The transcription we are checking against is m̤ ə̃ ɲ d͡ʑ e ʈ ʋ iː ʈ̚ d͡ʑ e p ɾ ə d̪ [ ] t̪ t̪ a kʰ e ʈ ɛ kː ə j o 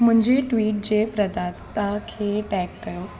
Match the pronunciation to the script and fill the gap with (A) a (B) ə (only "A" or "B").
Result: A